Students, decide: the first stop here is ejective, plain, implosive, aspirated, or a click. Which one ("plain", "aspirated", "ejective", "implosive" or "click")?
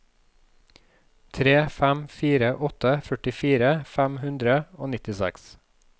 aspirated